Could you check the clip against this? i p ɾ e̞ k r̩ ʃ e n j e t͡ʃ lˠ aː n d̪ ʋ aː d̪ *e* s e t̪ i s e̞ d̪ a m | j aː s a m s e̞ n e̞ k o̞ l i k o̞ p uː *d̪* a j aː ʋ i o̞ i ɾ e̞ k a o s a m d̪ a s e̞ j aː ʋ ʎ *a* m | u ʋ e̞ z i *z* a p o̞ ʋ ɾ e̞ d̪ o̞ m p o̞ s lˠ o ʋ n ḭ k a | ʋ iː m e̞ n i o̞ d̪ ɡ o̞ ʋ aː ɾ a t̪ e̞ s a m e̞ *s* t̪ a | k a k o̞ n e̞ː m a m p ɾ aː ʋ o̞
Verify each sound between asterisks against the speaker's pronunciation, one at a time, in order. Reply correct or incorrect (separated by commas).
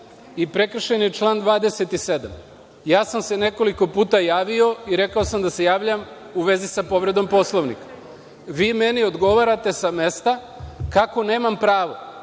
correct, incorrect, correct, incorrect, correct